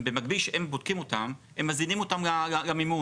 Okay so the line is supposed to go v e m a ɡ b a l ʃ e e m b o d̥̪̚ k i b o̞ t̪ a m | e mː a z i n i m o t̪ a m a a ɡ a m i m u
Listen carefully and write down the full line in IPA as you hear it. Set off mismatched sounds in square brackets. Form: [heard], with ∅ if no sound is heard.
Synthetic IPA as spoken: [b] e m a ɡ b [i] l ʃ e e m b o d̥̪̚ k i [m] o̞ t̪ a m | e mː a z i n i m o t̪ a m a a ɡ a m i m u